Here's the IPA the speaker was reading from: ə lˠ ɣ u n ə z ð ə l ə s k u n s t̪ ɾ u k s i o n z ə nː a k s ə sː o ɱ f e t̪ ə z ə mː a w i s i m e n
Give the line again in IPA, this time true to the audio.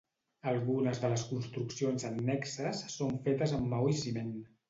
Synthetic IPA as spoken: ə lˠ ɣ u n ə z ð ə l ə s k u n s t̪ ɾ u k s i o n z ə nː ɛ k s ə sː o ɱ f e t̪ ə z ə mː a w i s i m e n